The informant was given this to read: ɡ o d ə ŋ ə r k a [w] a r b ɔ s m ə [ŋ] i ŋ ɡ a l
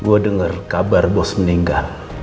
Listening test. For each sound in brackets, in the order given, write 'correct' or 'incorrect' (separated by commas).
incorrect, incorrect